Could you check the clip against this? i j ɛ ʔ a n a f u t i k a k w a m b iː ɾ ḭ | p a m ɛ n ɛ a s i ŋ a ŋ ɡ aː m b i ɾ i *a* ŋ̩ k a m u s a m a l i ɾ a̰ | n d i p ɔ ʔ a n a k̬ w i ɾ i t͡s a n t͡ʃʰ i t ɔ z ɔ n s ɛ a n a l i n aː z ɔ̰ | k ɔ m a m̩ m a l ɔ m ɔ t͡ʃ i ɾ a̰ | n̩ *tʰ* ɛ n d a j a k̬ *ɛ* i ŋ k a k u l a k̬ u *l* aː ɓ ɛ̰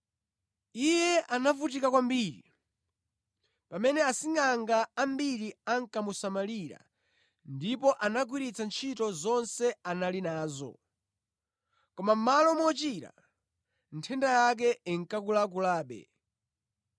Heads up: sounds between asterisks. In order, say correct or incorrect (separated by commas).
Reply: correct, correct, correct, correct